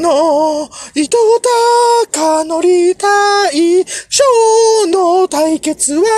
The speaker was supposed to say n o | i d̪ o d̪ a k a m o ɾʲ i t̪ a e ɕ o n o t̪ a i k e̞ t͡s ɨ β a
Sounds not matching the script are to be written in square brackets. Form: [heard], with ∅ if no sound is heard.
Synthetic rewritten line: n o | i [t̪] o [t̪] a k a [n] o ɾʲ i t̪ a [i] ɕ o n o t̪ a i k e̞ t͡s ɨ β a